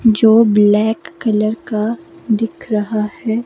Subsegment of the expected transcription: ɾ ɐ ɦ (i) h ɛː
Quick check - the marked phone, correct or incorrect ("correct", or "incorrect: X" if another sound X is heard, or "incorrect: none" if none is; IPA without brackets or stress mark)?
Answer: incorrect: a